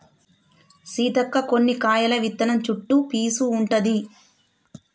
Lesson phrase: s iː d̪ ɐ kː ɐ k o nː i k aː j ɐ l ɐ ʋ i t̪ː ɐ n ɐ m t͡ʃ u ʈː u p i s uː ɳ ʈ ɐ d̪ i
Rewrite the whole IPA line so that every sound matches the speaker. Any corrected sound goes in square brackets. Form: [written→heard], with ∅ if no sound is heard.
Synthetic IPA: s iː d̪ ɐ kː ɐ k o nː i k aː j ɐ l ɐ ʋ i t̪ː ɐ n ɐ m t͡ʃ u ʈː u p [i→iː] s uː ɳ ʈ ɐ d̪ i